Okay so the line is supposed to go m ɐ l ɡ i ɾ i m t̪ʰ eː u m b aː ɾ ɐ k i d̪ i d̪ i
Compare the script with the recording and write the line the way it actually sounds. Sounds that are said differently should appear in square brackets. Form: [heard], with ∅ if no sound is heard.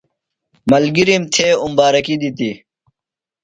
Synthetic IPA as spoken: m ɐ l ɡ i ɾ i m t̪ʰ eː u m b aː ɾ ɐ k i d̪ i [t̪] i